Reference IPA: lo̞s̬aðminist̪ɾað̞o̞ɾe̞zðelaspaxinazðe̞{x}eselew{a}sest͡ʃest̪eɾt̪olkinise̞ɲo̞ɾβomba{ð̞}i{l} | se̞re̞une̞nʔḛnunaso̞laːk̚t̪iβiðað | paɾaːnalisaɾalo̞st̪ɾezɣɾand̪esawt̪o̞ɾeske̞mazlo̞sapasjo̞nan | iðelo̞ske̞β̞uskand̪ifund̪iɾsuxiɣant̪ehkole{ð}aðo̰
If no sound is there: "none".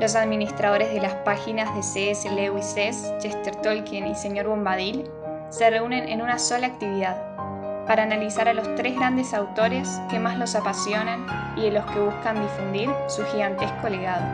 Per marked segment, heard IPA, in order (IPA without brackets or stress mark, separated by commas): s, i, ð̞, l, ɣ